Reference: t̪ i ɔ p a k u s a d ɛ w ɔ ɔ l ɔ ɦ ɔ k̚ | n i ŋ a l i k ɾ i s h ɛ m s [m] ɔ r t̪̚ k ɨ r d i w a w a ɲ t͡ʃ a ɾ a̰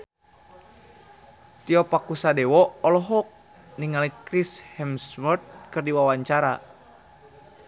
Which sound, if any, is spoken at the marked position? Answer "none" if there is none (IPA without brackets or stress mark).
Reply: m